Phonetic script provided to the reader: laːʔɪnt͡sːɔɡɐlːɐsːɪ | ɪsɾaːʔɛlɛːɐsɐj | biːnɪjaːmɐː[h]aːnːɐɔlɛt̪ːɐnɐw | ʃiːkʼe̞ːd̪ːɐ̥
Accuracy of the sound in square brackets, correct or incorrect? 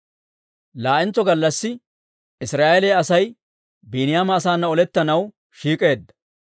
incorrect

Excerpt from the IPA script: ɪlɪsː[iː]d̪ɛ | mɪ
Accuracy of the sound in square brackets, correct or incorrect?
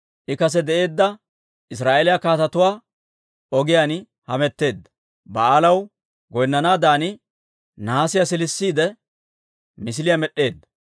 correct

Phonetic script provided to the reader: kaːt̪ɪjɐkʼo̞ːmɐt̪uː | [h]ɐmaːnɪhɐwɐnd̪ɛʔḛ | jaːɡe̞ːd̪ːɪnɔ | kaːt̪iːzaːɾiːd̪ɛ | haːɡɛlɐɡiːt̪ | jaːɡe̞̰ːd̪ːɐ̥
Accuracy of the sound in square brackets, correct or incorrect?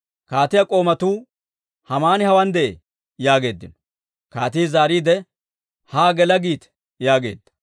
correct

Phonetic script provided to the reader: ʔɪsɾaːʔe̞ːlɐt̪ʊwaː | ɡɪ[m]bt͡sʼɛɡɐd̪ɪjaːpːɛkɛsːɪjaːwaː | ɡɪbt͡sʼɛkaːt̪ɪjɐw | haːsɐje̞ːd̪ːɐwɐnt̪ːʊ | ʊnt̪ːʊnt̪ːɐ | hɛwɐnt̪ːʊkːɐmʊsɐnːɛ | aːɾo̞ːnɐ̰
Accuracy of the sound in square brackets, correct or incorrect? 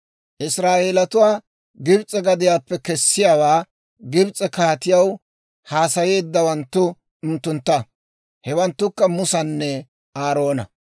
incorrect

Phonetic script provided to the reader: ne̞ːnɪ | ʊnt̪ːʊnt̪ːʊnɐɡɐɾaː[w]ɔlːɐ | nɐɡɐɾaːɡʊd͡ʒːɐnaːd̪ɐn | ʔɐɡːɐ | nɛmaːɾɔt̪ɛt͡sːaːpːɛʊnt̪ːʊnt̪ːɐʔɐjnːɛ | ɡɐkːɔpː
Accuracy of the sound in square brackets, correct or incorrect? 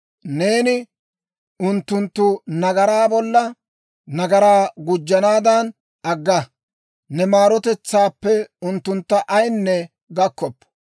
incorrect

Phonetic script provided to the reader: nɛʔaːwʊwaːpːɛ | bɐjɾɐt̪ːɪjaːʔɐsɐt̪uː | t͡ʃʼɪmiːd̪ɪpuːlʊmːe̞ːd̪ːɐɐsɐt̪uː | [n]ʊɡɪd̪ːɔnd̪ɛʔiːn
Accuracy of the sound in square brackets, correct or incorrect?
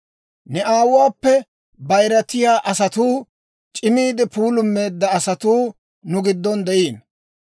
correct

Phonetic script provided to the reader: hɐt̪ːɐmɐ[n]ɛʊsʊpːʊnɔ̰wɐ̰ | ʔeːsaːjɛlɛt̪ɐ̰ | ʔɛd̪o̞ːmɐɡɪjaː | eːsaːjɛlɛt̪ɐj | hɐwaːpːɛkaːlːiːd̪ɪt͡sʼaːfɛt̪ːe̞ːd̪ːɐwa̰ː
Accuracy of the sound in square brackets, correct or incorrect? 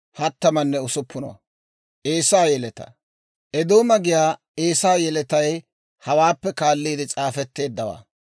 incorrect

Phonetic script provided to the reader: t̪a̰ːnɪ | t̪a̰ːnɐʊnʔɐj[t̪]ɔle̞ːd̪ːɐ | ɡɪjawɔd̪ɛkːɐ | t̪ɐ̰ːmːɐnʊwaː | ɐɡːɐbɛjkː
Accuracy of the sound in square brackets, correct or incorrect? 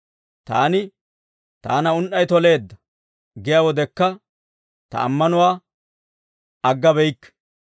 correct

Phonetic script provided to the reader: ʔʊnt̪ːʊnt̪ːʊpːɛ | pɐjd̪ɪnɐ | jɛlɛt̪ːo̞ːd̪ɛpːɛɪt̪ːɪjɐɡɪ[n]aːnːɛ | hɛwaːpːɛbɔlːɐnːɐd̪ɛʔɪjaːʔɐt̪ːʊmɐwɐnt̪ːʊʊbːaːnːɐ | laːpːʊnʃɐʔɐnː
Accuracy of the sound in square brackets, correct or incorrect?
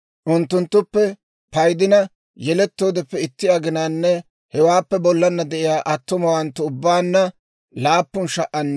correct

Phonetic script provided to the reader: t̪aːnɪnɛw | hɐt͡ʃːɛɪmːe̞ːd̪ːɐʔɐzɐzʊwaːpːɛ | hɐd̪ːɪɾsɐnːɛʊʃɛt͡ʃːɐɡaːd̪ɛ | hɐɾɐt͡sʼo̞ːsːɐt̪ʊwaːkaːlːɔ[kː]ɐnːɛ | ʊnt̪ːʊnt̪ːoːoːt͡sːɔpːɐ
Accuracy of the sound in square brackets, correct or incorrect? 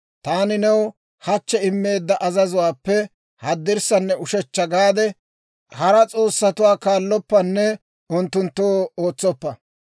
incorrect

